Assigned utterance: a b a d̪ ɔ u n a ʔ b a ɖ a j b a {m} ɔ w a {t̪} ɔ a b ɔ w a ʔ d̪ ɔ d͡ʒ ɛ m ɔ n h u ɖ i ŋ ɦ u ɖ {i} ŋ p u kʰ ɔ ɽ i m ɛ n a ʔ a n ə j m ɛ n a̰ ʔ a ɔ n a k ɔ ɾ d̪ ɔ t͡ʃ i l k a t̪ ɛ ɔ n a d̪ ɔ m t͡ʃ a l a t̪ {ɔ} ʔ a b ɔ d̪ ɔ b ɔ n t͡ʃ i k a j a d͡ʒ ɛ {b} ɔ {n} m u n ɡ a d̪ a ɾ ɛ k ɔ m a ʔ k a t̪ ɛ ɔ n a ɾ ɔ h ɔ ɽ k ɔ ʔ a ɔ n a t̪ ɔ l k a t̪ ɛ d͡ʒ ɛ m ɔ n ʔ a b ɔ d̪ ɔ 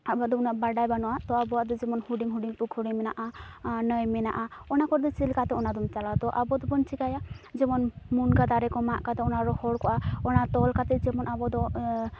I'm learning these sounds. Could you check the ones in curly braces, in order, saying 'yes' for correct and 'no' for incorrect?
no, yes, yes, yes, no, yes

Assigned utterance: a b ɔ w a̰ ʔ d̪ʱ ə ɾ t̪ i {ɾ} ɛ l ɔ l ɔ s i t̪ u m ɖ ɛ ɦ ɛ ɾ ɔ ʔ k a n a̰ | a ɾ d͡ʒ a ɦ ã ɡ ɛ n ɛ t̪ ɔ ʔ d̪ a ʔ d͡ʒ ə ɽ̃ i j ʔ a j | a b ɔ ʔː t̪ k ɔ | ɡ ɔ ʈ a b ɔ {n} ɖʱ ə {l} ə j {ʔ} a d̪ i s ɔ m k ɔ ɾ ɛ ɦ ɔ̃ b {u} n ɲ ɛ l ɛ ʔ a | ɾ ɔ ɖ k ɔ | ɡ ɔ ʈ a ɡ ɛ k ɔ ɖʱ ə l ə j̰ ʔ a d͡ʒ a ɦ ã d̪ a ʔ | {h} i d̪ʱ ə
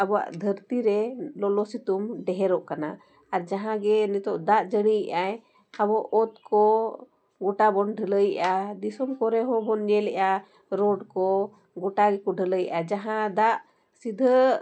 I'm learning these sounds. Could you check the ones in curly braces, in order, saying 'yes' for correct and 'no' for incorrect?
yes, yes, yes, yes, no, no

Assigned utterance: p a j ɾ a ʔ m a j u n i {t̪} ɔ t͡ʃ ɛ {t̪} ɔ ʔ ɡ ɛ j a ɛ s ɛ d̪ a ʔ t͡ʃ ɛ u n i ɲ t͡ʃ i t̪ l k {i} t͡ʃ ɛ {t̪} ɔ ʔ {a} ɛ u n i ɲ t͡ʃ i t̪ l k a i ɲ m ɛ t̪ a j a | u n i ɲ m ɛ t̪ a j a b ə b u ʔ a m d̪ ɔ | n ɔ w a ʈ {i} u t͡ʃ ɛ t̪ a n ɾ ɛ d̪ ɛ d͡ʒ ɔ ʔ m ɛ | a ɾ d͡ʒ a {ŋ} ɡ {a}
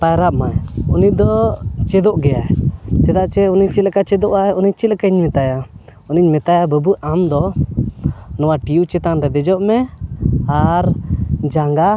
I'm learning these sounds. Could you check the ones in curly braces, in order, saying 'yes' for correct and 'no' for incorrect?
no, no, no, no, yes, yes, yes, yes

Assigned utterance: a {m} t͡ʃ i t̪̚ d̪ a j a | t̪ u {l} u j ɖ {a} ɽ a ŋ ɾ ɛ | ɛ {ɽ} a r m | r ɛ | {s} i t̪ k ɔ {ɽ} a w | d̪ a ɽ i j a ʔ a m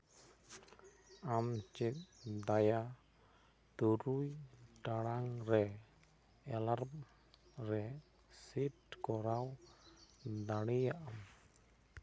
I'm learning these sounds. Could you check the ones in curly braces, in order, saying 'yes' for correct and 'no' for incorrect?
yes, no, yes, no, yes, no

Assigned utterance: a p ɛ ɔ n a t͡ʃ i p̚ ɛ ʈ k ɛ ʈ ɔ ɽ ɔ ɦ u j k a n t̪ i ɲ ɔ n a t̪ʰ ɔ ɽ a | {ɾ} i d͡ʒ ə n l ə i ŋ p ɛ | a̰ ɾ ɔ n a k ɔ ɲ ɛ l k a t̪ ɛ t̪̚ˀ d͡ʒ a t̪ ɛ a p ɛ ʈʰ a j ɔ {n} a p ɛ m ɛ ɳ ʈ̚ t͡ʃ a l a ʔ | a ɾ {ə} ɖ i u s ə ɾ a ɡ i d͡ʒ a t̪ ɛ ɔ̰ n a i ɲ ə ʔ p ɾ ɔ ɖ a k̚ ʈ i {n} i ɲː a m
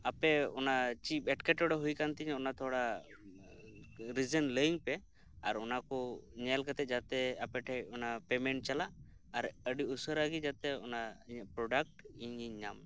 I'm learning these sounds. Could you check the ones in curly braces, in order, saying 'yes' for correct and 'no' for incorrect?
yes, yes, yes, no

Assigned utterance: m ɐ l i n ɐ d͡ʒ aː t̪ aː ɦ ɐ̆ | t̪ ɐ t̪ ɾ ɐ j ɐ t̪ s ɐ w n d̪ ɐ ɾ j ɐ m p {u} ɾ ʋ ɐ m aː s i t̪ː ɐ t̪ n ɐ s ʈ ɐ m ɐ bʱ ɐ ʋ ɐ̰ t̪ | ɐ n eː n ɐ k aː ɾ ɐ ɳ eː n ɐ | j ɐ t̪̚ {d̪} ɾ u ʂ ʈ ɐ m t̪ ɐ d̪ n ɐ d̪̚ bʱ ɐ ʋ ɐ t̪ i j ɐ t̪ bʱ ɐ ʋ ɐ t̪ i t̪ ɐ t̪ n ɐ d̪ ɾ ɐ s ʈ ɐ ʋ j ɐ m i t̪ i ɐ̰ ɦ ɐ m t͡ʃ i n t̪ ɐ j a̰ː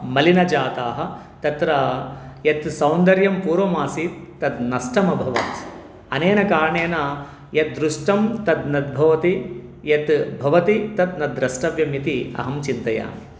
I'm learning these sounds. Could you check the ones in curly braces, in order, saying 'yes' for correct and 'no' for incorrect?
no, yes

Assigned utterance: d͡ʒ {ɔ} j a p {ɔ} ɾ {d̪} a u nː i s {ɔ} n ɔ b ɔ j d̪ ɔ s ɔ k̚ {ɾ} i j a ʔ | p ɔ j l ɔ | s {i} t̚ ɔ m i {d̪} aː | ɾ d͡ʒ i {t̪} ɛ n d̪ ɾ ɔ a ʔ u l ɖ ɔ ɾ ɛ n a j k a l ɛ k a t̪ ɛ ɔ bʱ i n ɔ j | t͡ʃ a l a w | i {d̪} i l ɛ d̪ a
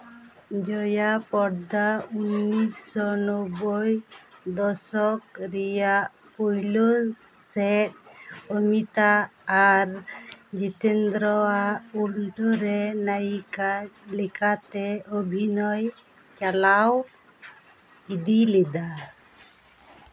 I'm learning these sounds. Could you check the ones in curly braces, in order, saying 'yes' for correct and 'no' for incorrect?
yes, yes, yes, yes, yes, no, no, yes, yes

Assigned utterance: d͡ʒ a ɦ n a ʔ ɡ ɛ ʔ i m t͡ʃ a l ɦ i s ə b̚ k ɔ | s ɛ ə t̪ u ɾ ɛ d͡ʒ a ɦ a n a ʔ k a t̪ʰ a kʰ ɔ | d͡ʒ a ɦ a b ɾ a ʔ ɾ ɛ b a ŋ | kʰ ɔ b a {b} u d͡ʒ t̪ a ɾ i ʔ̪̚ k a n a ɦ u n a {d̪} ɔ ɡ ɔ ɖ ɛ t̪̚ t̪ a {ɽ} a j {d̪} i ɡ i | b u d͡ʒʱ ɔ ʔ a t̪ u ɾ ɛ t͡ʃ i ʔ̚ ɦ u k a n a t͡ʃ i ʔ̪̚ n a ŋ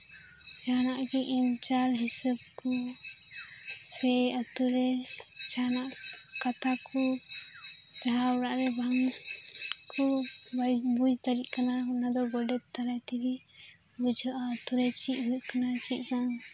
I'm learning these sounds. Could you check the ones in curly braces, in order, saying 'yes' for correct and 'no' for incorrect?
yes, yes, no, no

